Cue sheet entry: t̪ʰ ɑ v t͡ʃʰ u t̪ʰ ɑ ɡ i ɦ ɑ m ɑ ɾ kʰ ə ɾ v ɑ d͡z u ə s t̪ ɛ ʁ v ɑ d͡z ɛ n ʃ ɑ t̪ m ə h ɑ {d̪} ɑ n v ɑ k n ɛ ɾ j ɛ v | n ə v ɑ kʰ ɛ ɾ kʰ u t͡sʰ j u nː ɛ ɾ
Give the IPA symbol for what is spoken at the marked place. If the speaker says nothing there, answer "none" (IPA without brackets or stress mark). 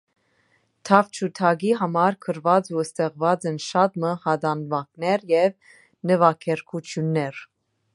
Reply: d̪